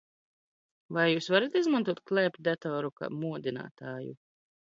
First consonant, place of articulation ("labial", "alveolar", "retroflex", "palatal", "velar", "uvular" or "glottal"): labial